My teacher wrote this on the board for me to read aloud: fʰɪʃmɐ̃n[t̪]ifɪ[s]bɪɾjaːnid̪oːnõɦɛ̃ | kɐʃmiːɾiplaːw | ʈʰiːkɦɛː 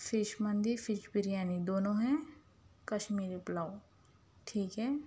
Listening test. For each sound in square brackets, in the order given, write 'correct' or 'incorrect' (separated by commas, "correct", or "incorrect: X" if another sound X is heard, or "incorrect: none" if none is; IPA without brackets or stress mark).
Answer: incorrect: d̪, incorrect: ʃ